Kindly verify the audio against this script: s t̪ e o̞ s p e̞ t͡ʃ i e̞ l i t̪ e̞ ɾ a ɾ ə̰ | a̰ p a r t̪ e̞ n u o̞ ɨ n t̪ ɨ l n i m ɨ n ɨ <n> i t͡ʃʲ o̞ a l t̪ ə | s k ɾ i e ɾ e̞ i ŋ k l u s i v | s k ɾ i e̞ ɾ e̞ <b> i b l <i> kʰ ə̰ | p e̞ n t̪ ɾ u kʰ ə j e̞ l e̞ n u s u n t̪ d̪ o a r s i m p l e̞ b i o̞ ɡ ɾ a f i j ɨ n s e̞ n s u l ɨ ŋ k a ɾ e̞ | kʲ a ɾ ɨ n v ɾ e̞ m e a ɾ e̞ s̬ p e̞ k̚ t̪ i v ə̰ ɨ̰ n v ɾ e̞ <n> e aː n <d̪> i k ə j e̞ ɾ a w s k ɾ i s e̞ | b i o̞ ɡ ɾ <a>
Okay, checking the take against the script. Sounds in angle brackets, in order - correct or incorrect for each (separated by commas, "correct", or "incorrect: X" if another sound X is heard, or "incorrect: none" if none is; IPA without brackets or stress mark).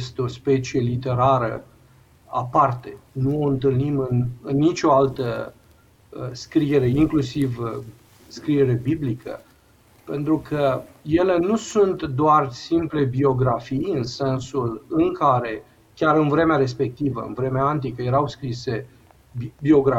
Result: incorrect: nː, correct, correct, incorrect: m, incorrect: t̪, correct